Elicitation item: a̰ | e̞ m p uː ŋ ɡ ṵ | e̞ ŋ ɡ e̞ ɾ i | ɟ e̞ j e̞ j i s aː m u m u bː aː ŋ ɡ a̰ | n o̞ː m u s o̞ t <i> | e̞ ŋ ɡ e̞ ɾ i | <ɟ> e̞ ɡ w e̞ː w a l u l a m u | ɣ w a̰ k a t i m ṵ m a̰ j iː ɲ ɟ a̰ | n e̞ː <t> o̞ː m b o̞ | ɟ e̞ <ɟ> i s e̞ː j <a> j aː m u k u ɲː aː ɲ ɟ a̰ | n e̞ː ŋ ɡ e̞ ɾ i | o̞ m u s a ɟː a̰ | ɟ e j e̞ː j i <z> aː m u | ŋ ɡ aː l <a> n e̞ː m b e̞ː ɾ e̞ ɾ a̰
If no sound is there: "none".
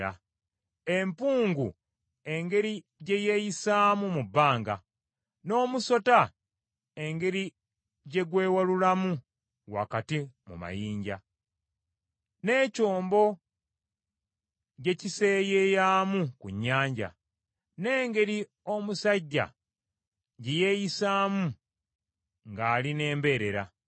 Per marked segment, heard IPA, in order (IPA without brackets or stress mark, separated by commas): a, ɟ, c, c, e, s, i